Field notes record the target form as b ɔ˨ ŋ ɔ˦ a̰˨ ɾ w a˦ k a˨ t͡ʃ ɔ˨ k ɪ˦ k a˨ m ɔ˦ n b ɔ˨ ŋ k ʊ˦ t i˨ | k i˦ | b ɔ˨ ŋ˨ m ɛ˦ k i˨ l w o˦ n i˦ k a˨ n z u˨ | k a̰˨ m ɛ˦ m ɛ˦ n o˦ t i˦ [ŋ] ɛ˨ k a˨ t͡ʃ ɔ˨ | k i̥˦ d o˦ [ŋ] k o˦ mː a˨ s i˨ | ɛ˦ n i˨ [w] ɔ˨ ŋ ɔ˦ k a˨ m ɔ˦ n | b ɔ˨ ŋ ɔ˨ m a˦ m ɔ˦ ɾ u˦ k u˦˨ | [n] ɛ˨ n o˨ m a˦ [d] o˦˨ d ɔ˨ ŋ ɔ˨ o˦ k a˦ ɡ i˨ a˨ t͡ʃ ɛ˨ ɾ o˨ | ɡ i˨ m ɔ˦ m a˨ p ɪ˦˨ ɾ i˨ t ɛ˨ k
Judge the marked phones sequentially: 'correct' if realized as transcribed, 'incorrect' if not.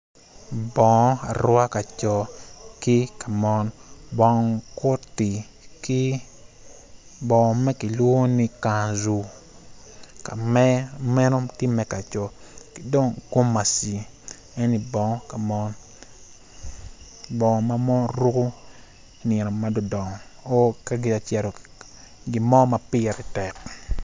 incorrect: m, correct, incorrect: b, correct, correct

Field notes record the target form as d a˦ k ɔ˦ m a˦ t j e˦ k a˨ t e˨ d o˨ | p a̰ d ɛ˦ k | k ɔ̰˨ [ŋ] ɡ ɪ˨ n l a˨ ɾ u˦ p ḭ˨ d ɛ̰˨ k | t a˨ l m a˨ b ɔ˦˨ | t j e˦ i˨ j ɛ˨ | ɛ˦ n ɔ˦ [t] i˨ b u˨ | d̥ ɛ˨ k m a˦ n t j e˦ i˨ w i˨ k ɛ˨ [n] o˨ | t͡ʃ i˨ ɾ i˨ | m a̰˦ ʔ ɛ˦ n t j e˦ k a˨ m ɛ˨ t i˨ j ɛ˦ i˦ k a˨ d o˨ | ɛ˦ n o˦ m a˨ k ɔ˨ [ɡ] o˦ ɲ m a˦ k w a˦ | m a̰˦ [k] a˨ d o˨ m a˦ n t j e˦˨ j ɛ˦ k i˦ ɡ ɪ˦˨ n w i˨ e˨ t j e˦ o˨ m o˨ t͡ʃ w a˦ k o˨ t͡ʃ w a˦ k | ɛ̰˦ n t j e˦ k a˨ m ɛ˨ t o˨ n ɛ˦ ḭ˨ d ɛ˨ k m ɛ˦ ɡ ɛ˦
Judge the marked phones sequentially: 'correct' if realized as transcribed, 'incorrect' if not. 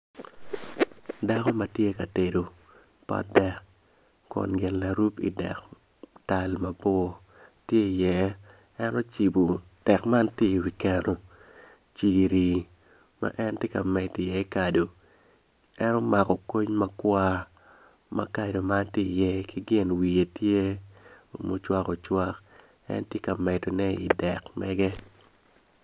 incorrect: n, incorrect: t͡ʃ, correct, incorrect: k, correct

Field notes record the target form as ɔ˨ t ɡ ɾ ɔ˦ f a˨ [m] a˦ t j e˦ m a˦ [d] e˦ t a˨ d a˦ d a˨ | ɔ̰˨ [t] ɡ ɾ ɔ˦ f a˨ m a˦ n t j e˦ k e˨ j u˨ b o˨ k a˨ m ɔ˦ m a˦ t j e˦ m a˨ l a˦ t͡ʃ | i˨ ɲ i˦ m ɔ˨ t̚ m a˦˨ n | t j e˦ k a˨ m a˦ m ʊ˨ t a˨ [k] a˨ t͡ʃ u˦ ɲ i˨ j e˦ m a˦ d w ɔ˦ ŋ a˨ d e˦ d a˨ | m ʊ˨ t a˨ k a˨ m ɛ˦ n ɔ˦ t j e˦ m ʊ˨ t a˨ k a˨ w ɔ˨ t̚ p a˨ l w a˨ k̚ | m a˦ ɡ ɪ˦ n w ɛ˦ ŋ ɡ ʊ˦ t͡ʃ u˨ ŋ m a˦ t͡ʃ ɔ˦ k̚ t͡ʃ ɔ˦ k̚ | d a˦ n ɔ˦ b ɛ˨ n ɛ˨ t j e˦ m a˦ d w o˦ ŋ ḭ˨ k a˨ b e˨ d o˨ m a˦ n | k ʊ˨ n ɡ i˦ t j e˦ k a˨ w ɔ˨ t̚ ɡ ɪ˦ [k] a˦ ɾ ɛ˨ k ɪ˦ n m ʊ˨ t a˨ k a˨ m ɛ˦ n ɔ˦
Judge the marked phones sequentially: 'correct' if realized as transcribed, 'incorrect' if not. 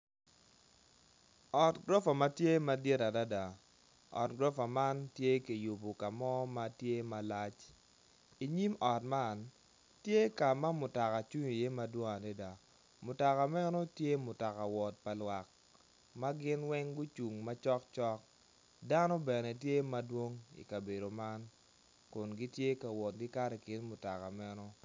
correct, correct, correct, correct, correct

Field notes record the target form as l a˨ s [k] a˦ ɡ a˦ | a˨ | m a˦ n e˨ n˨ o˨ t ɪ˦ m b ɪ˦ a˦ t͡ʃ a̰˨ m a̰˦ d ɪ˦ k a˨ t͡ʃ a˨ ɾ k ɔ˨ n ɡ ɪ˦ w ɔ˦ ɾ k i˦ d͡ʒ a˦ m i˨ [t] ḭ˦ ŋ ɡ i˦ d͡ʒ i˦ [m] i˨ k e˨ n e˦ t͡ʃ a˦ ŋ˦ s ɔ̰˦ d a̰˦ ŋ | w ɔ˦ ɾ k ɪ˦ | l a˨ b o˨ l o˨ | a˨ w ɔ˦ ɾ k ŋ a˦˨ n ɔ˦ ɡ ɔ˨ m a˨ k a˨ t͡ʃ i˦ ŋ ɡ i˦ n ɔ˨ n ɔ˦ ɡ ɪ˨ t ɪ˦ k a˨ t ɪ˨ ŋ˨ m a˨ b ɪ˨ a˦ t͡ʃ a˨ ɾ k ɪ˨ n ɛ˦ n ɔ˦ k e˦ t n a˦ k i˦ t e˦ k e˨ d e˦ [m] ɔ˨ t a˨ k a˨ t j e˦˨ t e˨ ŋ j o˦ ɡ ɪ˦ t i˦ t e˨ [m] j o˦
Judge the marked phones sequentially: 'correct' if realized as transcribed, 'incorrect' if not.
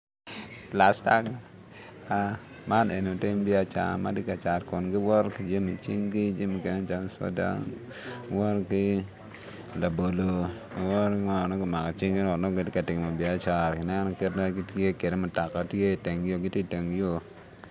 incorrect: t, incorrect: t͡ʃ, correct, correct, incorrect: ŋ

